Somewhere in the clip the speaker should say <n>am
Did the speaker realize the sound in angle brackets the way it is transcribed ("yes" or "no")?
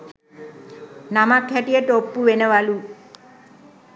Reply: yes